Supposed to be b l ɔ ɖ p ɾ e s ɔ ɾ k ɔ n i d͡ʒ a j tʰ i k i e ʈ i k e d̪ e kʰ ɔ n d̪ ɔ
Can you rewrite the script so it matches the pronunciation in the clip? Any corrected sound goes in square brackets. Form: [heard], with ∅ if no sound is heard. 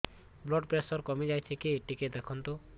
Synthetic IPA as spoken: b l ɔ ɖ p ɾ e s ɔ ɾ k ɔ [m] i d͡ʒ a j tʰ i k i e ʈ i k e d̪ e kʰ ɔ n [t̪] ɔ